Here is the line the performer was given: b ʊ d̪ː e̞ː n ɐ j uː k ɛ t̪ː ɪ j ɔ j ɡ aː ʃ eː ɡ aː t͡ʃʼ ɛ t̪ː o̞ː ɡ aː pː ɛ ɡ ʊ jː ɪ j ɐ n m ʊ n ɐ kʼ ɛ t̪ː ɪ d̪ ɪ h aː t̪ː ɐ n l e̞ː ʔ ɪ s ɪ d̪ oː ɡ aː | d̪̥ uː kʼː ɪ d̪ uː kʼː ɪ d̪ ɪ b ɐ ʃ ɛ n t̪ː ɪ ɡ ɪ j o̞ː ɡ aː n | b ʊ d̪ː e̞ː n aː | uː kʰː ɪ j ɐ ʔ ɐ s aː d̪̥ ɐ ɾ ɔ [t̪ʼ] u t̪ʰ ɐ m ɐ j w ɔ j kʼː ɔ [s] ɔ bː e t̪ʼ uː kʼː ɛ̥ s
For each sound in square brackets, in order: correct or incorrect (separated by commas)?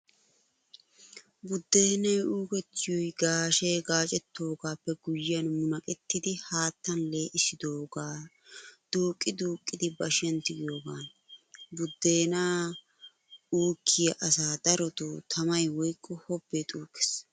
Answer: incorrect, incorrect